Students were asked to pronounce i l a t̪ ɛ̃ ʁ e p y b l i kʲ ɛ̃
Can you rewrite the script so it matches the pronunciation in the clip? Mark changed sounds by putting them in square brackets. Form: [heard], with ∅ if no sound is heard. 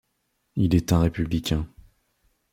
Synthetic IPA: i l [ɛ] t̪ ɛ̃ ʁ e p y b l i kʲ ɛ̃